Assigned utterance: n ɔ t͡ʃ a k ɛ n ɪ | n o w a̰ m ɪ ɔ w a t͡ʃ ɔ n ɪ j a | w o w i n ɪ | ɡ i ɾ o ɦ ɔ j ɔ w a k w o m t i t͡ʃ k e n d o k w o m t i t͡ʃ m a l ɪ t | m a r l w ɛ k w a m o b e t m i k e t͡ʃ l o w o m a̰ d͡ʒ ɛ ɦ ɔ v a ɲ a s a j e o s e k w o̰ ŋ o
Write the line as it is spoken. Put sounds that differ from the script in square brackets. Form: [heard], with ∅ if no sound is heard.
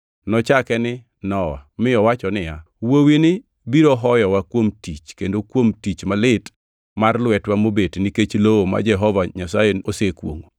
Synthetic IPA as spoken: n ɔ t͡ʃ a k ɛ n ɪ | n [ɔ] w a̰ m ɪ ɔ w a t͡ʃ ɔ n ɪ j a | w o w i n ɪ | [b] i ɾ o ɦ ɔ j ɔ w a k w o m t i t͡ʃ k e n d o k w o m t i t͡ʃ m a l ɪ t | m a r l w ɛ [t] w a m o b e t [n] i k e t͡ʃ l o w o m a̰ d͡ʒ ɛ ɦ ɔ v a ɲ a s a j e o s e k w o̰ ŋ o